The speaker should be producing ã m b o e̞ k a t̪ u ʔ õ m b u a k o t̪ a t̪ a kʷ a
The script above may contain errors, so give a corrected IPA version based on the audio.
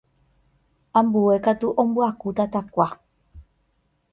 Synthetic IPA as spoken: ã m b u e̞ k a t̪ u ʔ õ m b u a k u t̪ a t̪ a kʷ a

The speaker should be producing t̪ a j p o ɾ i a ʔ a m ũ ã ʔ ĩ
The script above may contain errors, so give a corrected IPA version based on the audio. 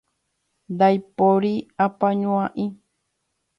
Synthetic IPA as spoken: d̪ a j p o ɾ i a p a ɲ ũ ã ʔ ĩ

